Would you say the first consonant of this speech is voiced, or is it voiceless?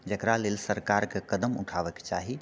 voiced